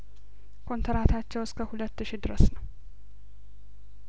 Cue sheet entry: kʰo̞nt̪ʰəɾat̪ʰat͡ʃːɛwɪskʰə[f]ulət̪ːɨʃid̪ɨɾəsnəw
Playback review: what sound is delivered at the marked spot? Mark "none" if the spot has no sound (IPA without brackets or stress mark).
h